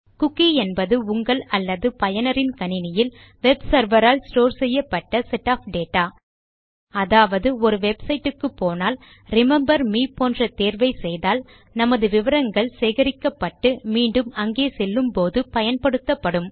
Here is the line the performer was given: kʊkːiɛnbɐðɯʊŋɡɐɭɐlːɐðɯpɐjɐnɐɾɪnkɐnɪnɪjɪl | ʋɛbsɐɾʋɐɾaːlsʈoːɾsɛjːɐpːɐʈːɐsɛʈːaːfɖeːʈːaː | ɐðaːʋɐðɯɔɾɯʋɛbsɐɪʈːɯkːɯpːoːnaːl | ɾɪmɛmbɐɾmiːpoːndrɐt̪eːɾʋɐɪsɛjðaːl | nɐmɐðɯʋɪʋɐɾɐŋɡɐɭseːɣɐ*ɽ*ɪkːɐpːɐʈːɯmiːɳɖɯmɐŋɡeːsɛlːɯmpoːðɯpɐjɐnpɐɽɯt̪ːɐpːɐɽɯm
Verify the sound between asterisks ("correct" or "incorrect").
incorrect